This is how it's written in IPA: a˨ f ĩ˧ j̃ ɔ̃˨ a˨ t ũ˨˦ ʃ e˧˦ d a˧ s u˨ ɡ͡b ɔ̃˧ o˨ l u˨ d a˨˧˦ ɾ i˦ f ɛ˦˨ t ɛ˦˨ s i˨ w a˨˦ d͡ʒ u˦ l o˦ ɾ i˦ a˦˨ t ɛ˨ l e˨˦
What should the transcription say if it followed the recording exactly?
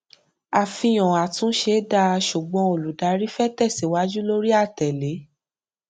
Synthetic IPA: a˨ f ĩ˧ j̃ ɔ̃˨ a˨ t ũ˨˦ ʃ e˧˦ d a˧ ʃ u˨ ɡ͡b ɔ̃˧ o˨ l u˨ d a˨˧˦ ɾ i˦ f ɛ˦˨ t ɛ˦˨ s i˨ w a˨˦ d͡ʒ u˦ l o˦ ɾ i˦ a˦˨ t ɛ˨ l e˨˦